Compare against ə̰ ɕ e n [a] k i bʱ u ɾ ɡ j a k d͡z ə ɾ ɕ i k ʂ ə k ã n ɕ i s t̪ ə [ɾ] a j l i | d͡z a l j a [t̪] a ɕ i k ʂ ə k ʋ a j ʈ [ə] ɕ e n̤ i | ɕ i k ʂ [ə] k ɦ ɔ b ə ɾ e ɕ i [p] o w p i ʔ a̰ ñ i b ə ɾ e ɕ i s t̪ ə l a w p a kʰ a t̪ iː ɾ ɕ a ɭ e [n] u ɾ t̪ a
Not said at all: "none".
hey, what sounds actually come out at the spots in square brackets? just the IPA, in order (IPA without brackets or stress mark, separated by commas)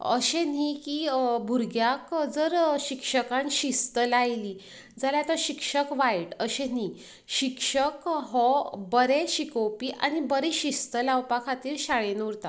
i, l, t̪, ə, ə, k, n